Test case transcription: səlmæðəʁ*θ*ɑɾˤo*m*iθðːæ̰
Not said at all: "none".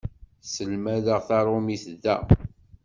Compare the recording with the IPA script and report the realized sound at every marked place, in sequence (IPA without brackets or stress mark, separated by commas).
θ, m